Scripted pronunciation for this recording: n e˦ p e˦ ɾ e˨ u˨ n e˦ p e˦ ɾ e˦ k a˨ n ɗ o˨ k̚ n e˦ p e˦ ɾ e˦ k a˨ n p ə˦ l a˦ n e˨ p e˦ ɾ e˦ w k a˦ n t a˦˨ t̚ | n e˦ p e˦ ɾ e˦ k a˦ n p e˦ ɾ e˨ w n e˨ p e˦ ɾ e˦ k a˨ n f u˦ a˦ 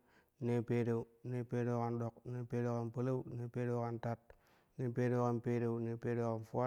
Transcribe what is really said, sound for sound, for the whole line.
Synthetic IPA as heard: n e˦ p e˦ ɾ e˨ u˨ n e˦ p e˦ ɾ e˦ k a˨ n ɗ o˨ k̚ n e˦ p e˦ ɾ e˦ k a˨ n p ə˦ l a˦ n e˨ p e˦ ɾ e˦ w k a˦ n t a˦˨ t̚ | n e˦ p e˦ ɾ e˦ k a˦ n p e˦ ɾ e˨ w n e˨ p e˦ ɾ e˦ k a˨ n f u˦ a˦